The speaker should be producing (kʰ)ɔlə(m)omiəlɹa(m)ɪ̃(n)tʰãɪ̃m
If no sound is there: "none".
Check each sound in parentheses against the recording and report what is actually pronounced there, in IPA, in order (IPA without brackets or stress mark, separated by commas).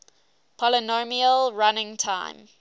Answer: pʰ, n, n, ŋ